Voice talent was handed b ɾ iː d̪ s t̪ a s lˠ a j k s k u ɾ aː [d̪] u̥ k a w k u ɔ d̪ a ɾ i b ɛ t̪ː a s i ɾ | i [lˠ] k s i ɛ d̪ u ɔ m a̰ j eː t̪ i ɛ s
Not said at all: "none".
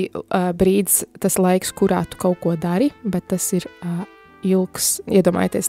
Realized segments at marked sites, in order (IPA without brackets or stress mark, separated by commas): t̪, lˠ